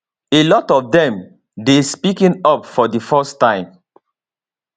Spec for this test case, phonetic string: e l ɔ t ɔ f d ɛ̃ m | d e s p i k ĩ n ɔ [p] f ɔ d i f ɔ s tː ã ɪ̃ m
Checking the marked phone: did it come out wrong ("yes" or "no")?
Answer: no